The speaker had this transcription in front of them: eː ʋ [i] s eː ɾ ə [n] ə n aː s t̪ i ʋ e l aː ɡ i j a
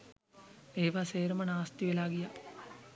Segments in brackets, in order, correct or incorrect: incorrect, incorrect

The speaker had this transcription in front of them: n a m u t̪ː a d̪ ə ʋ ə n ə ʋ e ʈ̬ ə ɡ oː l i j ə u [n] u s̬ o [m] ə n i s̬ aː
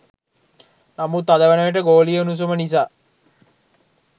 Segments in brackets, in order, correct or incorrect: correct, correct

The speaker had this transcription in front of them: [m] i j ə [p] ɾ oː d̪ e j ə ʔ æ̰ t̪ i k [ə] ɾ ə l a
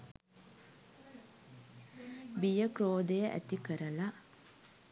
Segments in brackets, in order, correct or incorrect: incorrect, incorrect, correct

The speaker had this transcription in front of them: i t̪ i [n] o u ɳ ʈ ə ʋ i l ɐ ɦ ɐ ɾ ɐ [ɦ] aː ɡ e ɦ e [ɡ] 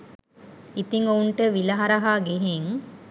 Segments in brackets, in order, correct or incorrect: incorrect, correct, incorrect

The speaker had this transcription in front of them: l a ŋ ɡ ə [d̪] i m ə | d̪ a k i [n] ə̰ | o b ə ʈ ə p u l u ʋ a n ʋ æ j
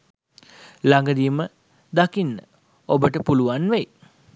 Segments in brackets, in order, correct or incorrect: correct, incorrect

